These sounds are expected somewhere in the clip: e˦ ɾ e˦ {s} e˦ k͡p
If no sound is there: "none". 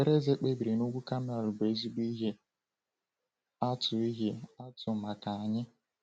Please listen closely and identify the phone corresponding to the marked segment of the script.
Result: z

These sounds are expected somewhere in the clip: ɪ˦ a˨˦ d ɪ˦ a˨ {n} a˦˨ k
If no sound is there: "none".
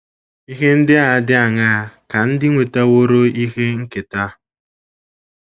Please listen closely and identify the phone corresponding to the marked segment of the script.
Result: ŋ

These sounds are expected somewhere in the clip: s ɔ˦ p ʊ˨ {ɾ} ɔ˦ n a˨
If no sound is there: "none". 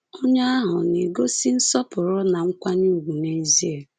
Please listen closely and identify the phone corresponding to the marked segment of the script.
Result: ɾ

